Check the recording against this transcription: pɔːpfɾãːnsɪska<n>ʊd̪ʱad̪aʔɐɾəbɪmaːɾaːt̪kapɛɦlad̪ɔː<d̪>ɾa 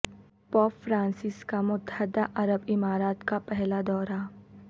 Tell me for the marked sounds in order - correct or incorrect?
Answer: incorrect: m, incorrect: none

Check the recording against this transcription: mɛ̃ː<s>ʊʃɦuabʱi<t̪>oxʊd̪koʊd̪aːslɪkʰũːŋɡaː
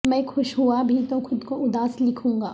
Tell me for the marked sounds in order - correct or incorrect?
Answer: incorrect: x, correct

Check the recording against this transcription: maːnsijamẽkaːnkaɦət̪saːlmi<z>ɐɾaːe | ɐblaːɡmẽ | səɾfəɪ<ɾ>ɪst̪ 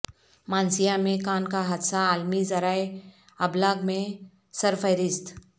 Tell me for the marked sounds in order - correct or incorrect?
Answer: correct, correct

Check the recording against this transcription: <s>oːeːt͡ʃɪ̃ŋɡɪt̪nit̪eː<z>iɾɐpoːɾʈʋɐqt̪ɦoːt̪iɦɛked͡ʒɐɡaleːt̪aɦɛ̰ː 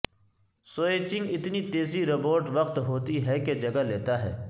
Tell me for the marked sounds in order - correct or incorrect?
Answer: correct, correct

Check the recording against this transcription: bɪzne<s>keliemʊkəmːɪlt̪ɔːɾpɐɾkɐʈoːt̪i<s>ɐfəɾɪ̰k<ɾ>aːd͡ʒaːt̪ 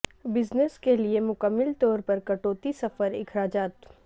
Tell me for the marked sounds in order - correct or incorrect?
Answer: correct, correct, correct

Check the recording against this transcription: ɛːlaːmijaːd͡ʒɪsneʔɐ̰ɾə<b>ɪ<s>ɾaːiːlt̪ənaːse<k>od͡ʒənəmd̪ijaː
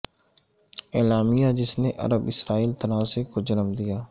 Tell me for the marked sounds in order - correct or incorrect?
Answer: correct, correct, correct

